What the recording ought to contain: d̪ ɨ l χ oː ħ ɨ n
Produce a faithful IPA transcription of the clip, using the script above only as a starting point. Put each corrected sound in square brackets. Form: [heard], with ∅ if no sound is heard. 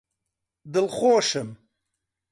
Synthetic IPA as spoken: d̪ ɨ l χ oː [ʃ] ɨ [m]